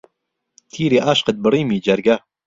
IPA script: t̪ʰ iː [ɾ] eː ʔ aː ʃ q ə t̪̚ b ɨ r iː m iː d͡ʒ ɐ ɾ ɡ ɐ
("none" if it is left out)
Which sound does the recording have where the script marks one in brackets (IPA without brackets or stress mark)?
ɾ